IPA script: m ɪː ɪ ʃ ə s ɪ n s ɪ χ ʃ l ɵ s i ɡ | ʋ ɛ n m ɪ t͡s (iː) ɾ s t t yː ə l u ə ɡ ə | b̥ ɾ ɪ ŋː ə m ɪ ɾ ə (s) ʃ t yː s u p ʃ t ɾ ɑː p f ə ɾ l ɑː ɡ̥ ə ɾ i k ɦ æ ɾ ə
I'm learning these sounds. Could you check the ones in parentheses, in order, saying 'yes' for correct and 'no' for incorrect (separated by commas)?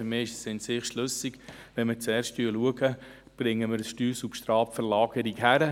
no, yes